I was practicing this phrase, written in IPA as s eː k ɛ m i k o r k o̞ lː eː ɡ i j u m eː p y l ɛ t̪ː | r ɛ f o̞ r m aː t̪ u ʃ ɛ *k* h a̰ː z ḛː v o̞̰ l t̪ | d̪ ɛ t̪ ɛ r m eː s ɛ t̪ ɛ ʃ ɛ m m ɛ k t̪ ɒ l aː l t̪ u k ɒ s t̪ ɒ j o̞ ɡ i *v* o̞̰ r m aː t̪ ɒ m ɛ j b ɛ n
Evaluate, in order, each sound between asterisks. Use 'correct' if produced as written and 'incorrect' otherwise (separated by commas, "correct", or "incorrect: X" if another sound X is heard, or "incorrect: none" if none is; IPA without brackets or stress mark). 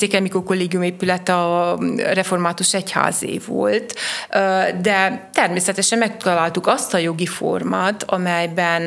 incorrect: c, incorrect: f